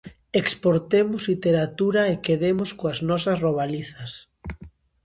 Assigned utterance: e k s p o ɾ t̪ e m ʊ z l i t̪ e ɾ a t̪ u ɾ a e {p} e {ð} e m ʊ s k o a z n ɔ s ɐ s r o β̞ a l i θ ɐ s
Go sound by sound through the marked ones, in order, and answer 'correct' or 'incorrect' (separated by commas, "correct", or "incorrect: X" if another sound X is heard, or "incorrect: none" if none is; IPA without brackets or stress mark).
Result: incorrect: k, correct